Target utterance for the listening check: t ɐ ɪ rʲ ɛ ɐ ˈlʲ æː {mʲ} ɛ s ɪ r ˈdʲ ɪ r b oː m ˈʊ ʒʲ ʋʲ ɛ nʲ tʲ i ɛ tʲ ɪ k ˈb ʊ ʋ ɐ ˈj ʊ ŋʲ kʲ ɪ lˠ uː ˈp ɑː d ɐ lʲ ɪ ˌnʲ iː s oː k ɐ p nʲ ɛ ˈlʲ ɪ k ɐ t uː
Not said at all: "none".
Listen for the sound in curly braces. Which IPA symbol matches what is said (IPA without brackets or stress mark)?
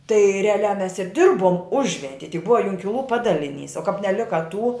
mʲ